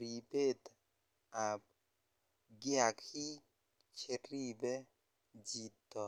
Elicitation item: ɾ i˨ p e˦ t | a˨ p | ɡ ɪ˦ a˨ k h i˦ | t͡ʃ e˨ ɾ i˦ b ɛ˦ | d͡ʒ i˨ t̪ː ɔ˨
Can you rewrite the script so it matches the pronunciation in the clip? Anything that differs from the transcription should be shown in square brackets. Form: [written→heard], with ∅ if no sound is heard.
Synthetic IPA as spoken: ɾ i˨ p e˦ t | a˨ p | ɡ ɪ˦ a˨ k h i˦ | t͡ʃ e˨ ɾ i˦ b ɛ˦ | d͡ʒ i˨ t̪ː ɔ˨